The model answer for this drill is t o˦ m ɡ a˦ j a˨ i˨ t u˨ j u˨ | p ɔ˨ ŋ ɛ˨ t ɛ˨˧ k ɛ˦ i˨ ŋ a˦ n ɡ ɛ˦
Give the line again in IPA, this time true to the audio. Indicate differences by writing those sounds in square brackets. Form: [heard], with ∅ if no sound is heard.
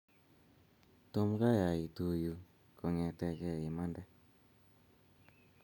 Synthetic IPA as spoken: t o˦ m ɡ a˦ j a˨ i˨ t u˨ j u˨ | [k] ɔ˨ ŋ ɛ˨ t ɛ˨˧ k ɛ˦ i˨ [m] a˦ n [d] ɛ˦

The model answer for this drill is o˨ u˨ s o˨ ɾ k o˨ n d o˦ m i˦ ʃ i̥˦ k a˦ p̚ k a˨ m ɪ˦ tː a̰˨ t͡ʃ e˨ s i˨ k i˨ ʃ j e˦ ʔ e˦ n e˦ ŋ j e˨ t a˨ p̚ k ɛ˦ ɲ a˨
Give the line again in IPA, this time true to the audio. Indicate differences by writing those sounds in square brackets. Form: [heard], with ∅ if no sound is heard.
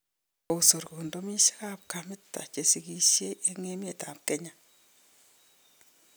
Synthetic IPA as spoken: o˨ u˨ s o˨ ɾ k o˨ n d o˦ m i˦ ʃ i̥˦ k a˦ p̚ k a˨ m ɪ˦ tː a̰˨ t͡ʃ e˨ s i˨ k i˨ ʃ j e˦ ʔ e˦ [ŋ] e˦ [m] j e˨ t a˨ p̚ k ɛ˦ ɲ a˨

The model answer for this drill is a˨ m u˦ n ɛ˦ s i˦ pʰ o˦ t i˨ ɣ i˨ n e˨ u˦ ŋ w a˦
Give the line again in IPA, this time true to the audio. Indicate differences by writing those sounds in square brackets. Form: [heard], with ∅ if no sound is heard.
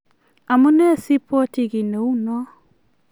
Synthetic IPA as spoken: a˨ m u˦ n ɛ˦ s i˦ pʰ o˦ t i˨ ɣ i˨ n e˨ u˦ [n] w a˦

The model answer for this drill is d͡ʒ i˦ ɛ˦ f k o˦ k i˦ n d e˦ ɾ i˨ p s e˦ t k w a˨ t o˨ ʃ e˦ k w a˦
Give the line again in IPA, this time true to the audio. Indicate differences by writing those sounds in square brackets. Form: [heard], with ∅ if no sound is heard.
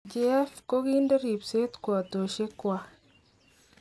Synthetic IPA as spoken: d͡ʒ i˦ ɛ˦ f k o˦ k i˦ n d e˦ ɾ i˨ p s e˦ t k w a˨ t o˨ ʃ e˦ k w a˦

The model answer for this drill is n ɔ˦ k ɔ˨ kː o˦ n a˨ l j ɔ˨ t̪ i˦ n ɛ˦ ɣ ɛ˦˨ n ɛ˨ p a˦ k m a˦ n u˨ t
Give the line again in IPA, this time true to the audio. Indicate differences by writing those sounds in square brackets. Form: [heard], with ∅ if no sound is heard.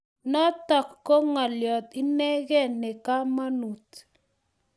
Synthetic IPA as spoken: n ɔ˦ [t] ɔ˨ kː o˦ [ŋ] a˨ l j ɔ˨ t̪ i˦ n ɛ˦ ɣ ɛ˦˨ n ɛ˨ [k] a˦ [∅] m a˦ n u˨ t

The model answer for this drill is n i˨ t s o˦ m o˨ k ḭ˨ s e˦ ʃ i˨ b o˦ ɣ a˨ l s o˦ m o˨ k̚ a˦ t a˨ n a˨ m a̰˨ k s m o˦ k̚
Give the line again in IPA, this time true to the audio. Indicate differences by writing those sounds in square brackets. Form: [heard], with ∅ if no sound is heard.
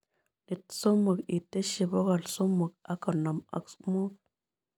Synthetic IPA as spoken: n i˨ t s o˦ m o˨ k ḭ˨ [t] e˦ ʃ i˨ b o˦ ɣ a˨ l s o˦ m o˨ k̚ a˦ [k] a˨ n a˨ m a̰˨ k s m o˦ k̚

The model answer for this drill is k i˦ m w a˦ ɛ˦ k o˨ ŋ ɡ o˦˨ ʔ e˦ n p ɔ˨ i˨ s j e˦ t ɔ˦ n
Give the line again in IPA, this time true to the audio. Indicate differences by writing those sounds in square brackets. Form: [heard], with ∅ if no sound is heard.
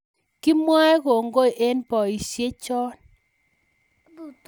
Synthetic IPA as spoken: k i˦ m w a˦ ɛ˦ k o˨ ŋ ɡ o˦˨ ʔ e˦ n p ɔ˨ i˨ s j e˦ [t͡ʃ] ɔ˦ n

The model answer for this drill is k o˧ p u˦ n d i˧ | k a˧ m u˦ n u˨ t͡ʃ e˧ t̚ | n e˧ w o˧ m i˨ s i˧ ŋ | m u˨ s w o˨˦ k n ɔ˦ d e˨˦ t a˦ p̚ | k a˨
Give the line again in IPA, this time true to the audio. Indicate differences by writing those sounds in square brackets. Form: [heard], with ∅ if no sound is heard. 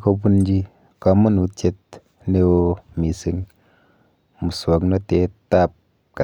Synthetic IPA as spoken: k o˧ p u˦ n [d͡ʒ] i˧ | k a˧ m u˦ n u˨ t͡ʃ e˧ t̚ | n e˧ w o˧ m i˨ s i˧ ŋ | m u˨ s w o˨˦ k n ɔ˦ [t] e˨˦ t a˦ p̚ | k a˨

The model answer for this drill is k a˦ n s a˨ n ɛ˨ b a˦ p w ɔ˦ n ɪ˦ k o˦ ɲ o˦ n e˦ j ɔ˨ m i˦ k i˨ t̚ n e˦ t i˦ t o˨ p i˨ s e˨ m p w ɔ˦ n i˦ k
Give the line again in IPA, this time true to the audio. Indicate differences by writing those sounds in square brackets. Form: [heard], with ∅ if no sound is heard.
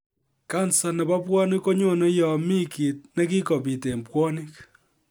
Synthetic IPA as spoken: k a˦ n s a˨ n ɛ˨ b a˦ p w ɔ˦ n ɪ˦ k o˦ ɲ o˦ n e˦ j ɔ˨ m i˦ k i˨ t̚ n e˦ [k] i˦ [k] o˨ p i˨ [t] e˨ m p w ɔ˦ n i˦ k

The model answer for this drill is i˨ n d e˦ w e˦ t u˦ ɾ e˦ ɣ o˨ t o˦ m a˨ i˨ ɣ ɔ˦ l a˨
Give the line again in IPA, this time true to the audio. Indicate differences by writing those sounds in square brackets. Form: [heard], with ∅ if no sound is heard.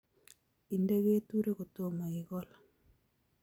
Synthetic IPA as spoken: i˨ n d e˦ [ɣ] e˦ t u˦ ɾ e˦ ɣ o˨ t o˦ m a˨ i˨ ɣ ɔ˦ l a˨

